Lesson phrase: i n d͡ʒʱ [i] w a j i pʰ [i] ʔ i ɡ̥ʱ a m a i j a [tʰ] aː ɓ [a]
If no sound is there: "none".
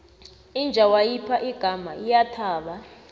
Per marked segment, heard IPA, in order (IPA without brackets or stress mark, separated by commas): a, a, tʰ, a